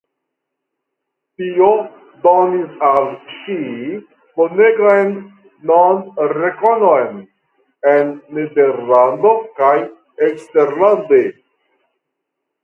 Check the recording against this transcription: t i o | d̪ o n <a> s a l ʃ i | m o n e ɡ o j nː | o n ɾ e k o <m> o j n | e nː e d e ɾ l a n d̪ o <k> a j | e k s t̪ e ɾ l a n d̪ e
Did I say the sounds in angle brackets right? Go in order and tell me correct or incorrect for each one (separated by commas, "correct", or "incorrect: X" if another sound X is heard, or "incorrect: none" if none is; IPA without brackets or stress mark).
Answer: incorrect: i, incorrect: n, correct